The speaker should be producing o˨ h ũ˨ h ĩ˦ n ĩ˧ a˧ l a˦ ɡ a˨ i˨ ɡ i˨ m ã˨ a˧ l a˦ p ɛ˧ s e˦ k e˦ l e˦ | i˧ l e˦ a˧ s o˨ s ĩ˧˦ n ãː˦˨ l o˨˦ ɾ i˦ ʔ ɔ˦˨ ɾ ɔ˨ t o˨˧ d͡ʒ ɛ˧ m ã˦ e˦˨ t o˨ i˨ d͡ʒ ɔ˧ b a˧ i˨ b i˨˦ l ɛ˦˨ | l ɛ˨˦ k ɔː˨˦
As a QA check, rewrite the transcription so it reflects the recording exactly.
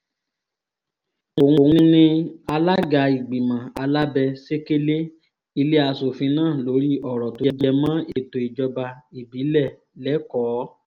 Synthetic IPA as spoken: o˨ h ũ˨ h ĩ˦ n ĩ˧ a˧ l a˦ ɡ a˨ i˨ ɡ͡b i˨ m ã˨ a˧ l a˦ b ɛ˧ s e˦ k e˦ l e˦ | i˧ l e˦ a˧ s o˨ f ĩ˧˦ n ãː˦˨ l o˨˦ ɾ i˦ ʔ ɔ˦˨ ɾ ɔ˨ t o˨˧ d͡ʒ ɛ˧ m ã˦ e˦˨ t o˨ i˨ d͡ʒ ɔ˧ b a˧ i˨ b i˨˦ l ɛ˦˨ | l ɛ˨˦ k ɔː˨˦